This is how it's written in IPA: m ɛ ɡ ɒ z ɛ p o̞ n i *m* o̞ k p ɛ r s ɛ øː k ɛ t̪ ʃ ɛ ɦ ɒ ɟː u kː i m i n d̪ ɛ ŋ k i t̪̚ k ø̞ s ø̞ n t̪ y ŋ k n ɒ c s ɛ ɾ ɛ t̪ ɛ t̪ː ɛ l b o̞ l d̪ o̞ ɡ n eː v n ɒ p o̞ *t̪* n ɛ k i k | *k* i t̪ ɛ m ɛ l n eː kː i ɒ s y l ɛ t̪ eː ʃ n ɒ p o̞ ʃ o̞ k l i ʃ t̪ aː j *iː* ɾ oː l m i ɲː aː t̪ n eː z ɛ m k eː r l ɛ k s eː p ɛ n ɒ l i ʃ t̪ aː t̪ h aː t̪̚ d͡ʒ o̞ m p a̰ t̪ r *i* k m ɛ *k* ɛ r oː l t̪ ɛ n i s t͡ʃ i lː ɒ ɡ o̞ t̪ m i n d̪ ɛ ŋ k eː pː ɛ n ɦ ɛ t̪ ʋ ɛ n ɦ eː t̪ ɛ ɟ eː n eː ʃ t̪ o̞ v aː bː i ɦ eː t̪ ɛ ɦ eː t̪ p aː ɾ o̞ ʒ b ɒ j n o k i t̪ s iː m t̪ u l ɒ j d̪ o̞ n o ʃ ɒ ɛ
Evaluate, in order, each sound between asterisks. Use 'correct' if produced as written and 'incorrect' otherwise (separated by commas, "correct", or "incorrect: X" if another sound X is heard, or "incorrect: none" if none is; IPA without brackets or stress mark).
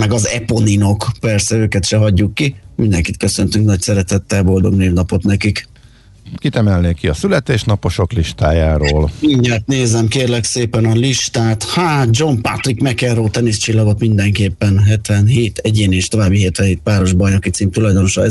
incorrect: n, correct, correct, incorrect: aː, correct, correct